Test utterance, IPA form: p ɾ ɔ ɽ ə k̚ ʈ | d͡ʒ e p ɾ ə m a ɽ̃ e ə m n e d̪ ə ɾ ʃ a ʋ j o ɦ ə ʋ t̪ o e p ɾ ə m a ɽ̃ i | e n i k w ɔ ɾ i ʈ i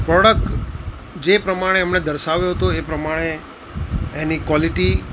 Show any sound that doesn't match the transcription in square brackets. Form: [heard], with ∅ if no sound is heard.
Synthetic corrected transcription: p ɾ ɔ ɽ ə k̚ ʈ | d͡ʒ e p ɾ ə m a ɽ̃ e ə m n e d̪ ə ɾ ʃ a ʋ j o ɦ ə [∅] t̪ o e p ɾ ə m a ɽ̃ [e] | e n i k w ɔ [l] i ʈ i